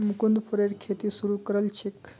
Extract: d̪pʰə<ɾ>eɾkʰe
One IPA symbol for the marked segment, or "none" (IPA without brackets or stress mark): ɾ